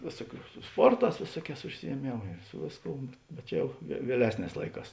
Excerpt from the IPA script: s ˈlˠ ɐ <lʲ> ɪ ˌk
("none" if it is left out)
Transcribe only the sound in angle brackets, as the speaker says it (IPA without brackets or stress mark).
none